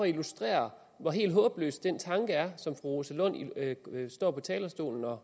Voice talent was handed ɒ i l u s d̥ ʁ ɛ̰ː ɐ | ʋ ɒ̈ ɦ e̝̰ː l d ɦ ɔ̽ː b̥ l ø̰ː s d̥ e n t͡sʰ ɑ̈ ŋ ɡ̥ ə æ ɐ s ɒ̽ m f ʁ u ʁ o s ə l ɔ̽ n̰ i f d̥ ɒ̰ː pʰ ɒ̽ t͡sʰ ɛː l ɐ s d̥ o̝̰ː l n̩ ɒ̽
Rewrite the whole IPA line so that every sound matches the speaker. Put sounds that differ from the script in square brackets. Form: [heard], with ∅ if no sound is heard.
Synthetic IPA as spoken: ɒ i l u s d̥ ʁ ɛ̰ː ɐ | ʋ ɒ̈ ɦ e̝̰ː l d ɦ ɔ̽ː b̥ l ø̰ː s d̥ e n t͡sʰ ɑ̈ ŋ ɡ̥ ə æ ɐ s ɒ̽ m f ʁ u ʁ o s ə l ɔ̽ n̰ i [s] d̥ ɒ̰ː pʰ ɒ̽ t͡sʰ ɛː l ɐ s d̥ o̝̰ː l n̩ ɒ̽